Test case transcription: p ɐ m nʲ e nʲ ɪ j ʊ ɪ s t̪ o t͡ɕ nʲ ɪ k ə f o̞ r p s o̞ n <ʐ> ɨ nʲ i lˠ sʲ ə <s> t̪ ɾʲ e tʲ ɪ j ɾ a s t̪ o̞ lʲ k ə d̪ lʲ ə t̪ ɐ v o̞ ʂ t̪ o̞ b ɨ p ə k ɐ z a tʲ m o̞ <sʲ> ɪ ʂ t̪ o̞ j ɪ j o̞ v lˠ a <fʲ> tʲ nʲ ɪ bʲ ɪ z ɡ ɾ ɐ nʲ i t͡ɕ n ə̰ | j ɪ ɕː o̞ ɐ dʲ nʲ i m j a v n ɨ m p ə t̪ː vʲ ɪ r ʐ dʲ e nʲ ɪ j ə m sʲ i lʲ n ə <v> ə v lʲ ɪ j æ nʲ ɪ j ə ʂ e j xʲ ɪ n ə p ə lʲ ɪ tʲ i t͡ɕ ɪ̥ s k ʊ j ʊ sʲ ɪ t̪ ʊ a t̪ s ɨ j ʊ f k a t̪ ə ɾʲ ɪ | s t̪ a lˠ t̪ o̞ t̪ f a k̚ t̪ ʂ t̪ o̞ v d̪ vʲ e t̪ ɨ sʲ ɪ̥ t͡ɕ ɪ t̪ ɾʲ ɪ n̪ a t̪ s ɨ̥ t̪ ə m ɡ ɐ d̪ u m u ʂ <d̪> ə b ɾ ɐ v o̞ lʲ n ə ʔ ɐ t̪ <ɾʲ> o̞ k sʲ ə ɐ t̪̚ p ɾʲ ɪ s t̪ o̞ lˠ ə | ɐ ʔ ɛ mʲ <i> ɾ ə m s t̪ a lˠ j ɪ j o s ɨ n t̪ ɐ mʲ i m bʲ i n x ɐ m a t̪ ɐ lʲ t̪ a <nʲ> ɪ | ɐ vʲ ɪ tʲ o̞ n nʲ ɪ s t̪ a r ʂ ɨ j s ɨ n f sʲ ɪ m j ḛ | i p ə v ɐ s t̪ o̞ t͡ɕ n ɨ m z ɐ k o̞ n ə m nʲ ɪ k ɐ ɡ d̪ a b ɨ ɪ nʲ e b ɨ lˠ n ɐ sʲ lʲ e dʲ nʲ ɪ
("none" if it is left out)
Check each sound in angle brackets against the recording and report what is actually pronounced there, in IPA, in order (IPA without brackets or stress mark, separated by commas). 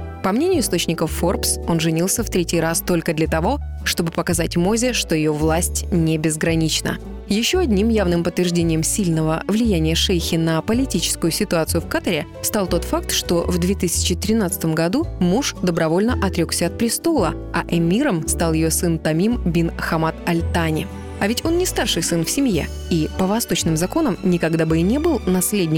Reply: ʐ, f, zʲ, sʲ, v, d̪, ɾʲ, i, nʲ